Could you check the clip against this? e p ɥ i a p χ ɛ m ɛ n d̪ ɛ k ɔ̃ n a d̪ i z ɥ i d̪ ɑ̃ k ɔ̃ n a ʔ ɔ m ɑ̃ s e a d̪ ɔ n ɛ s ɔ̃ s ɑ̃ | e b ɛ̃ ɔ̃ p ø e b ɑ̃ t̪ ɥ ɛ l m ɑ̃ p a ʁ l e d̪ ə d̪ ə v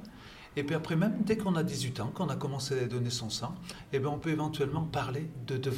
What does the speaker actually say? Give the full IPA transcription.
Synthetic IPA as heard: e p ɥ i a p χ ɛ m ɛ m d̪ ɛ k ɔ̃ n a d̪ i z ɥ i t̪ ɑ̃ k ɔ̃ n a k ɔ m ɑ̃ s e a d̪ ɔ n e s ɔ̃ s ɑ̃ | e b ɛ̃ ɔ̃ p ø e v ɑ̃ t̪ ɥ ɛ l m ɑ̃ p a ʁ l e d̪ ə d̪ ə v